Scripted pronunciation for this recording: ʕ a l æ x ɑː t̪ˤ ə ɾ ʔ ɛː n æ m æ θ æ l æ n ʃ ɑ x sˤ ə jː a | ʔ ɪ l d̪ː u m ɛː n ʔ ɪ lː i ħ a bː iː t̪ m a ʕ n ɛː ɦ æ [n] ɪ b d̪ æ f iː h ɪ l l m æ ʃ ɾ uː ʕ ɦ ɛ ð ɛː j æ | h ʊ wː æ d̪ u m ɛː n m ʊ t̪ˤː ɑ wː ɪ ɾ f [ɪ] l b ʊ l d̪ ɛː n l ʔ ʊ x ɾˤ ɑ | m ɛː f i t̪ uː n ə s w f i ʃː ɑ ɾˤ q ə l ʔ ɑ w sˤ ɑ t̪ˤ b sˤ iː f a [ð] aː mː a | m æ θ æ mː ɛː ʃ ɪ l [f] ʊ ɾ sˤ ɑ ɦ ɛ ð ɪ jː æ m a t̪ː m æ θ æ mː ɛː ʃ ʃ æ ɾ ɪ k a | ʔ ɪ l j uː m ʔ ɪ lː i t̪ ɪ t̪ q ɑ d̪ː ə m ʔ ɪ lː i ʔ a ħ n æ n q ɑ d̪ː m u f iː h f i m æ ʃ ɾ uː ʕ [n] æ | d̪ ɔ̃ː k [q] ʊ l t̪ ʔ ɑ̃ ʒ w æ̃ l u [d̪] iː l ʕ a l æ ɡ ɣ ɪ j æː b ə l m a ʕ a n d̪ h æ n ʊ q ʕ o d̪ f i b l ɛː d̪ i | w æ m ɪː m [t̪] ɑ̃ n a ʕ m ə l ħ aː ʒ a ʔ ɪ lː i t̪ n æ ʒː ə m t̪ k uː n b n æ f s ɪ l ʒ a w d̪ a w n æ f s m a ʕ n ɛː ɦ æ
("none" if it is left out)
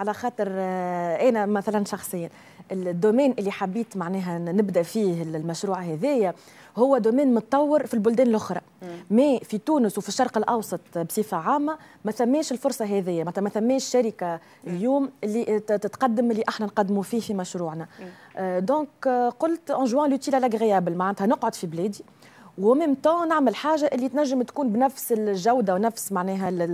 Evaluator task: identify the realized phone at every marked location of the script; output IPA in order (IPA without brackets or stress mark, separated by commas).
n, i, ʕ, f, n, q, t̪, t̪